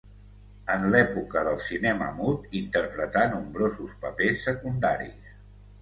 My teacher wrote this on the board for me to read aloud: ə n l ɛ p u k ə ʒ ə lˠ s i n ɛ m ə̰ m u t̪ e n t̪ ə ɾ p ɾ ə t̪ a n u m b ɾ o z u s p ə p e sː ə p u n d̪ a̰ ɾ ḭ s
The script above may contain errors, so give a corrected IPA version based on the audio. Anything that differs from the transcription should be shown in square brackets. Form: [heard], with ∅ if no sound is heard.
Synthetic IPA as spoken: ə n l ɛ p u k ə [ð] ə lˠ s i n ɛ m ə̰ m u t̪ [i] n t̪ ə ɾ p ɾ ə t̪ a n u m b ɾ o z u s p ə p e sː ə [k] u n d̪ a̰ ɾ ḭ s